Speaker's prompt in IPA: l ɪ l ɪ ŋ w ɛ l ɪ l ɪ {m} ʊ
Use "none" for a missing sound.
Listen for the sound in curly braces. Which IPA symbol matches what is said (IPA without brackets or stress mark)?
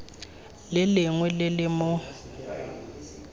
m